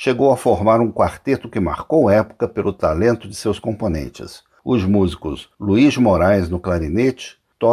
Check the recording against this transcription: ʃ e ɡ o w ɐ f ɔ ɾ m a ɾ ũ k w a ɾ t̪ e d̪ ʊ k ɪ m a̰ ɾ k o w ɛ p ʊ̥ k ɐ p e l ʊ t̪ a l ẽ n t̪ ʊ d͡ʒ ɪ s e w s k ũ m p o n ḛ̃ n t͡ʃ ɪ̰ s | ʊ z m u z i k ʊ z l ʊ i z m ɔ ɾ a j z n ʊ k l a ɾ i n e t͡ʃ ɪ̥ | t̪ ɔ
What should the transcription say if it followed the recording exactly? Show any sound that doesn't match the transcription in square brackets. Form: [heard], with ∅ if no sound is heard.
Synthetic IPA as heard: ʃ e ɡ o w ɐ f [o] ɾ m a ɾ ũ k w a ɾ t̪ e [t̪] ʊ k ɪ m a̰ ɾ k o w ɛ p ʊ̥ k ɐ p e l ʊ t̪ a l ẽ n t̪ ʊ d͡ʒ ɪ s e w s k [õ] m p o n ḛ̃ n t͡ʃ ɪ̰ s | ʊ z m u z i k ʊ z l [u] i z m [o] ɾ a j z n ʊ k l a ɾ i n e t͡ʃ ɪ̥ | t̪ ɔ